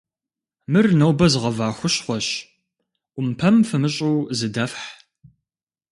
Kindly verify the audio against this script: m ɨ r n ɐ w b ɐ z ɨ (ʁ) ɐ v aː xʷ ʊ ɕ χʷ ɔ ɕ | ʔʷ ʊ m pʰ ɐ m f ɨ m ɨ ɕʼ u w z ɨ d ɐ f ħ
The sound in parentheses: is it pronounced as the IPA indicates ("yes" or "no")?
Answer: yes